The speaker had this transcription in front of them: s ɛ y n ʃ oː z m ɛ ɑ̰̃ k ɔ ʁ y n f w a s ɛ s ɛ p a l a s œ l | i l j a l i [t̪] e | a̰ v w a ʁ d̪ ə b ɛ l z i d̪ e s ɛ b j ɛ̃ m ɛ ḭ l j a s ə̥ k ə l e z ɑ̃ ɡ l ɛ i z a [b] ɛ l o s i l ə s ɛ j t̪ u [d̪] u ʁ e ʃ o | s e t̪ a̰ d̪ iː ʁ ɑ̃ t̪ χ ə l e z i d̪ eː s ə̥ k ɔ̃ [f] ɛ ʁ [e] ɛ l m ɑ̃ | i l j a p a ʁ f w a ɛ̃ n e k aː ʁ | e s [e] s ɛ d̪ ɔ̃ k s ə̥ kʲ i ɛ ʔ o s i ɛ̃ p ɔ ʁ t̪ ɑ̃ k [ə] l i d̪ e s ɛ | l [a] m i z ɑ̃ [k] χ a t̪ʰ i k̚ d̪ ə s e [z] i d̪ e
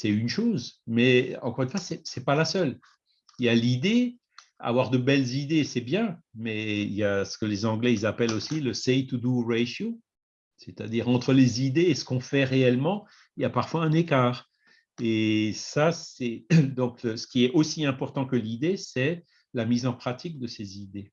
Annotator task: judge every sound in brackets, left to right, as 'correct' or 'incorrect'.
incorrect, incorrect, correct, correct, correct, incorrect, correct, correct, incorrect, correct

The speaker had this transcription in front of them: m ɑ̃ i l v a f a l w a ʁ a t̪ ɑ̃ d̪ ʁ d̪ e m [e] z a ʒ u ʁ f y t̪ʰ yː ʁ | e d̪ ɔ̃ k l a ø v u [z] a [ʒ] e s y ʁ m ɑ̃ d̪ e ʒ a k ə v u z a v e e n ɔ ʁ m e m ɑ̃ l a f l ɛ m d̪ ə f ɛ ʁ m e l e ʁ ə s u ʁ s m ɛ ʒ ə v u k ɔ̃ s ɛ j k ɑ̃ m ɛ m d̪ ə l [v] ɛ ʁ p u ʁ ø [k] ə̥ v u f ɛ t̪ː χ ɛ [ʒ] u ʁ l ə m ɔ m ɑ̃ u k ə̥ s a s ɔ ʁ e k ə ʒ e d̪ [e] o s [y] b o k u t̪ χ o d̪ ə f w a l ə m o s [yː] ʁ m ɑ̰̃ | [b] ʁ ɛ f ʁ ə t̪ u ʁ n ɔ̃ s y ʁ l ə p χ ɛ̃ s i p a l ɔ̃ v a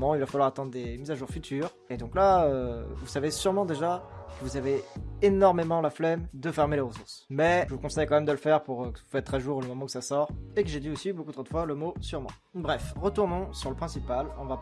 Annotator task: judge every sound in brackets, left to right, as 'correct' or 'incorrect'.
incorrect, incorrect, incorrect, incorrect, correct, correct, incorrect, incorrect, incorrect, correct

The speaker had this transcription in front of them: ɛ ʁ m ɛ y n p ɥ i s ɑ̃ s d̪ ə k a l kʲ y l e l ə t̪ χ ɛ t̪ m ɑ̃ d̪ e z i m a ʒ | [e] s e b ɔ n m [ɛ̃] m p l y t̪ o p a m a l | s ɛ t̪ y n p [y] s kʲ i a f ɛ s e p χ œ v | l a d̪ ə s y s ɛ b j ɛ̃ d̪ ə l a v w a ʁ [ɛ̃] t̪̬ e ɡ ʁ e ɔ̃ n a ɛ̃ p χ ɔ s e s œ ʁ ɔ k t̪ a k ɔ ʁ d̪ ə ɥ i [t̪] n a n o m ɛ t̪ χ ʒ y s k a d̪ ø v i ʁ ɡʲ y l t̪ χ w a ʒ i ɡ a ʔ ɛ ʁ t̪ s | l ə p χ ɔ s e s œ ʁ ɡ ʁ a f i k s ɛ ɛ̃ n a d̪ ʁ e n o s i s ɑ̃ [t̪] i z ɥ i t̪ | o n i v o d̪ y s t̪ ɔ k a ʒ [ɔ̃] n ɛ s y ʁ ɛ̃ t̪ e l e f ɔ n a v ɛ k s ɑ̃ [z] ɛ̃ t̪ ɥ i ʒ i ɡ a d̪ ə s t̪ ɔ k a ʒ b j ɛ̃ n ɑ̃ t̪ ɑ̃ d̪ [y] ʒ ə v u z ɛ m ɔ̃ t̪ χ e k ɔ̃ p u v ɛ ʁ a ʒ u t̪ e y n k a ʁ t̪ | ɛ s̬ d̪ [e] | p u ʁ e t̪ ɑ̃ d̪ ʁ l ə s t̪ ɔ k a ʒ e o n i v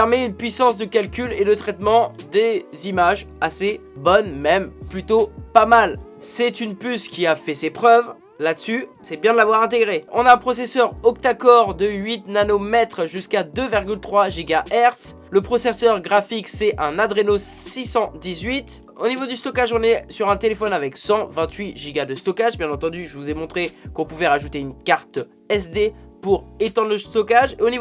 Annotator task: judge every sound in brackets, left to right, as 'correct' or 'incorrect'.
incorrect, incorrect, correct, correct, correct, incorrect, correct, incorrect, correct, correct

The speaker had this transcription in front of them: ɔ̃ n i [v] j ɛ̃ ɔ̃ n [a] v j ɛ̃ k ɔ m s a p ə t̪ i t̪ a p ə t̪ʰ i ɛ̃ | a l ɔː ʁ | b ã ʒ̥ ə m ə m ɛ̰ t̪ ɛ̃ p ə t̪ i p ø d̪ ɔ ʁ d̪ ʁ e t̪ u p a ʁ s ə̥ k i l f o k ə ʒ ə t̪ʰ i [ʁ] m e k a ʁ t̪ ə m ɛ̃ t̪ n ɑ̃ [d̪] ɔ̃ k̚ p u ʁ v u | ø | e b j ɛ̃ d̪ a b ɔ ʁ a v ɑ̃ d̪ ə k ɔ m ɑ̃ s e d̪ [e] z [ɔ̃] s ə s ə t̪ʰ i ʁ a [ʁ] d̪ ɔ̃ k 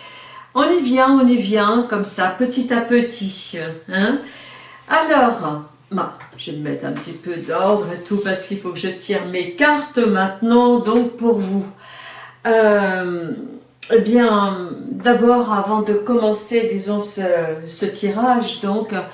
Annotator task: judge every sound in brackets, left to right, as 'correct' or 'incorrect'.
correct, incorrect, correct, correct, incorrect, correct, incorrect

